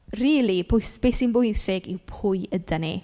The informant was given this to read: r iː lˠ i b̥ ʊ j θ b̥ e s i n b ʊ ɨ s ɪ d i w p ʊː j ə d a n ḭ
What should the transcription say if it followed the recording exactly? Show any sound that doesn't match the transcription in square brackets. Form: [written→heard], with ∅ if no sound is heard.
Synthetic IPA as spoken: r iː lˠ i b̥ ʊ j [θ→s] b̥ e s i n b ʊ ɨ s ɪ [d→ɡ] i w [p→pʰ] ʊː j ə d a n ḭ